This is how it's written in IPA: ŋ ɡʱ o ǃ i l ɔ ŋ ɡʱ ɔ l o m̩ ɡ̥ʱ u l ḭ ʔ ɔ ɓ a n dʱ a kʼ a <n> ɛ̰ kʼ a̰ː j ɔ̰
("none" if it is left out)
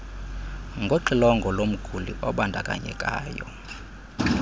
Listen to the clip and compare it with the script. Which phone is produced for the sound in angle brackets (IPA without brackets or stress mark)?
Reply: ɲ